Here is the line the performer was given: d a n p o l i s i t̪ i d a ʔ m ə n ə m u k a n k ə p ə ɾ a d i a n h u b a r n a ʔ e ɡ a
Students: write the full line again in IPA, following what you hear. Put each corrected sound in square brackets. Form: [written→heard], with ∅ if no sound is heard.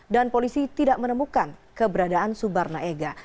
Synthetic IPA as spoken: d a n p o l i s i t̪ i d a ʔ m ə n ə m u k a n k ə [p→b] ə ɾ a d [i→a] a n [h→s] u b a r n a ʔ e ɡ a